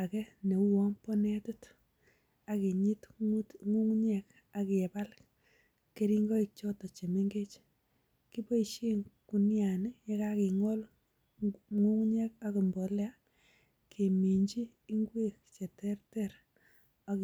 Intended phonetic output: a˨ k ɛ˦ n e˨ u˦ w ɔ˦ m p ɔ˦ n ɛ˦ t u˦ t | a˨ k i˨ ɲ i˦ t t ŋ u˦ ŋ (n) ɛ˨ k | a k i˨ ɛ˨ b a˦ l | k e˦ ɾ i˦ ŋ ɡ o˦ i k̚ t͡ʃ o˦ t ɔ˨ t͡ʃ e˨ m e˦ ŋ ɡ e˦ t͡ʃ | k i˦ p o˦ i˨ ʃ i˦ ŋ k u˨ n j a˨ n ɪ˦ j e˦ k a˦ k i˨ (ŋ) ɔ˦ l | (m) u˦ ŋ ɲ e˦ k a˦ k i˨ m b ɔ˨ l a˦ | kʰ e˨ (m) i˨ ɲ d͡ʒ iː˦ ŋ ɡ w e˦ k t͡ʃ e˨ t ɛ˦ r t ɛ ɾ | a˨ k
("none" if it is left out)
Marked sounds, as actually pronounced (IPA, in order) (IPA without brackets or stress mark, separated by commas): ɲ, ŋ, ŋ, m